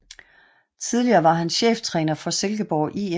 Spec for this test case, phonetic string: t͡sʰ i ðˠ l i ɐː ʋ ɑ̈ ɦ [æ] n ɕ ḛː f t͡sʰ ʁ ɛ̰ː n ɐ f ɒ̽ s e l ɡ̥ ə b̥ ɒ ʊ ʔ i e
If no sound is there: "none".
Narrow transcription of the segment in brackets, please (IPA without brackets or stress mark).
æ